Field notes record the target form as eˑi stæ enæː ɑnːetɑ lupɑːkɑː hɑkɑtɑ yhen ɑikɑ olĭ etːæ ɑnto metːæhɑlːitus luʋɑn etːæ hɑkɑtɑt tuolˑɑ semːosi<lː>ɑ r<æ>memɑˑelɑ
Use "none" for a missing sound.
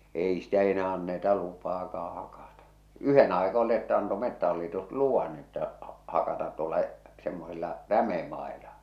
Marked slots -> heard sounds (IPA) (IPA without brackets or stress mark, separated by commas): lː, æ